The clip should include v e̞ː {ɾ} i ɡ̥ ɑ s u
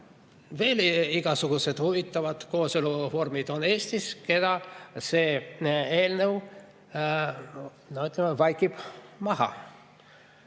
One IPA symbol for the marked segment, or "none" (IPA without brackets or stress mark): l